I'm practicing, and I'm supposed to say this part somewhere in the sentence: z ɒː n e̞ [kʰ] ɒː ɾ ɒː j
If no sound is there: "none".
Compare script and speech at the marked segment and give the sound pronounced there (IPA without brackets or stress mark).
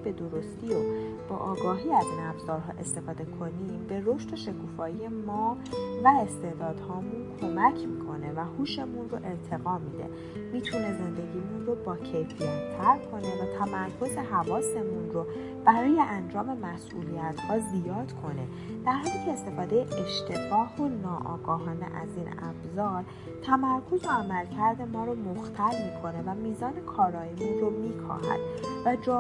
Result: kʰ